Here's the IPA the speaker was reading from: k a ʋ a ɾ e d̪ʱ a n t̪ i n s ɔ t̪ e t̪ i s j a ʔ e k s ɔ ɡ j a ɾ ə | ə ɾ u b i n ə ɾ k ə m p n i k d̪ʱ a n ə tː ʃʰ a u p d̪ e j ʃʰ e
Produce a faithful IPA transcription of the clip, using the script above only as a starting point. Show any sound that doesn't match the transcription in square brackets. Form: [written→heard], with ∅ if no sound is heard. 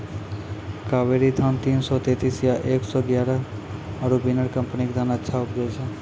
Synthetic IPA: k a ʋ [a→e] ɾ [e→i] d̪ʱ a n t̪ i n s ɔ t̪ e t̪ i s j a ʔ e k s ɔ ɡ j a ɾ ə | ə ɾ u b i n ə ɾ k ə m p n i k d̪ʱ a n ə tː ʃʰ a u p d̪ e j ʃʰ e